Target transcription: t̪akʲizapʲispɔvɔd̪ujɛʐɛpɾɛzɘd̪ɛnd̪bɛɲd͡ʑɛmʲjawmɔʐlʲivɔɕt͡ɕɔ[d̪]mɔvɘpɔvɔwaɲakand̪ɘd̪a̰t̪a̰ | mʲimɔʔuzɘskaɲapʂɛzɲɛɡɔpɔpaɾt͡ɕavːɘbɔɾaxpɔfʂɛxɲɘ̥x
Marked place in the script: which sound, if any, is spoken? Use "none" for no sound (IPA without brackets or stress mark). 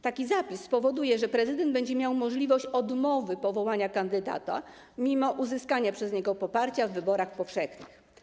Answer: d̪